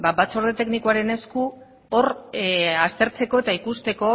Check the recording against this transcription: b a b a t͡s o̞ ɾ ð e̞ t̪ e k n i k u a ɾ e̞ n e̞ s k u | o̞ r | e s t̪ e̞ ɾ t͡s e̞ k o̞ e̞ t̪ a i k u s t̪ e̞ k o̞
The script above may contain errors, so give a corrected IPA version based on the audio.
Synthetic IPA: b a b a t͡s o̞ ɾ ð e̞ t̪ e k n i k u a ɾ e̞ n e̞ s k u | o̞ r | a s t̪ e̞ ɾ t͡s e̞ k o̞ e̞ t̪ a i k u s t̪ e̞ k o̞